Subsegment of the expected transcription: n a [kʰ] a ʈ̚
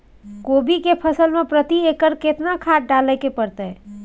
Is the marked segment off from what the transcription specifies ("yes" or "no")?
no